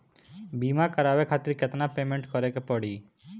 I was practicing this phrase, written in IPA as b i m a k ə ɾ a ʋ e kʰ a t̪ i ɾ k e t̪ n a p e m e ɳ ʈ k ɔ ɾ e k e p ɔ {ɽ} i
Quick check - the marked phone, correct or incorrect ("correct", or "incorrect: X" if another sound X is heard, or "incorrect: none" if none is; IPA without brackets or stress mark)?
correct